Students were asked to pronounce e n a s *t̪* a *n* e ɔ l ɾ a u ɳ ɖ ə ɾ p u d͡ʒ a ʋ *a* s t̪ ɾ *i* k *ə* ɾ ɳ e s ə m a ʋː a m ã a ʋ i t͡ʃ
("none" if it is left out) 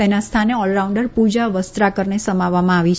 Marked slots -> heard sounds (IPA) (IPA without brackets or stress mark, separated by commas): t̪ʰ, n, ə, a, ə